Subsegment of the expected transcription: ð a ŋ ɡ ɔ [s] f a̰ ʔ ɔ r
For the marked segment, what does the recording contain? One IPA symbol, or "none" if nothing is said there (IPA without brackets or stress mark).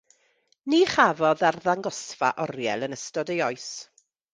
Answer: s